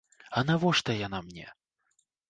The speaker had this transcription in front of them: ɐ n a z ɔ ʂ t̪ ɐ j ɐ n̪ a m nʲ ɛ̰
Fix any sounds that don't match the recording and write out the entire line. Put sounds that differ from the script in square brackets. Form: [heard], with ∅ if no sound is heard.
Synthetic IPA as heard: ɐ n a [v] ɔ ʂ t̪ ɐ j [a] n̪ a m nʲ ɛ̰